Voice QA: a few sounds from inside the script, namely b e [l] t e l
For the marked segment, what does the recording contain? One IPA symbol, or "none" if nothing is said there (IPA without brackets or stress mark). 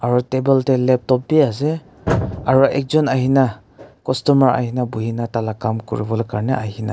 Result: l